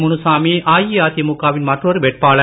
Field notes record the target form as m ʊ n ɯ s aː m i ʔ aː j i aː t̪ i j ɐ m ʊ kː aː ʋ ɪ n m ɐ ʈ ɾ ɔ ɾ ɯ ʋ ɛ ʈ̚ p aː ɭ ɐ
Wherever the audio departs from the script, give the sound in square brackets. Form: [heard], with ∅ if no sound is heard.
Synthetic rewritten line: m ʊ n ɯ s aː m i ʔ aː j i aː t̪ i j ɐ m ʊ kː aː ʋ ɪ n m ɐ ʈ [r] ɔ ɾ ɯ ʋ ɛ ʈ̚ p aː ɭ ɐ